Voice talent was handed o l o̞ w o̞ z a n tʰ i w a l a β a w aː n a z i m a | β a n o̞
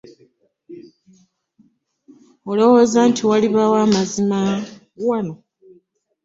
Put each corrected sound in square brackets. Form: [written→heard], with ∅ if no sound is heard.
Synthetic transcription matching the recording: o l o̞ w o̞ z a n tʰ i w a l [a→i] β a w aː [n→m] a z i m a | [β→w] a n o̞